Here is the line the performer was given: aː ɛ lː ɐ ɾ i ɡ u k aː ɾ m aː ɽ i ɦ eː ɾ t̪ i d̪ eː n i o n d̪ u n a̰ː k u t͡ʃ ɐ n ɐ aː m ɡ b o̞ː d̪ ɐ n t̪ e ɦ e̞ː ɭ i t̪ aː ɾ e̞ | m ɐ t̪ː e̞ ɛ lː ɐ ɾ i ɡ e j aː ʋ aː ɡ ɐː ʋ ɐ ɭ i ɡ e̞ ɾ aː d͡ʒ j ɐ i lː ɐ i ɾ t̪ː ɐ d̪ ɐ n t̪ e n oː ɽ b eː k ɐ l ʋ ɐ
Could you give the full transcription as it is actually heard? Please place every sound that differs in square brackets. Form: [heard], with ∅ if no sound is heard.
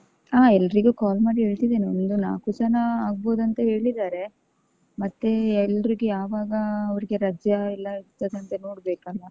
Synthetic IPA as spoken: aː ɛ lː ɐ ɾ i ɡ u k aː [l] m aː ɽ i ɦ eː [ɭ] t̪ i d̪ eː n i o n d̪ u n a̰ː k u t͡ʃ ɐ n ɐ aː [∅] ɡ b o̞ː d̪ ɐ n t̪ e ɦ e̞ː ɭ i [d̪] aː ɾ e̞ | m ɐ t̪ː e̞ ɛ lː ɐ ɾ i ɡ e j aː ʋ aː ɡ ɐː ʋ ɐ [ɾ] i ɡ e̞ ɾ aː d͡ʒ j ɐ i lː ɐ i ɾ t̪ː ɐ d̪ ɐ n t̪ e n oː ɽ b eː k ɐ l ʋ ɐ